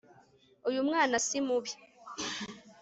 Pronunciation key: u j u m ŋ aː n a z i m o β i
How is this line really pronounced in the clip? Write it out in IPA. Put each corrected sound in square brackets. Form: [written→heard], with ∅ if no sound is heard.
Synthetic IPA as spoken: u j u m ŋ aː n a [z→s] i m [o→u] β i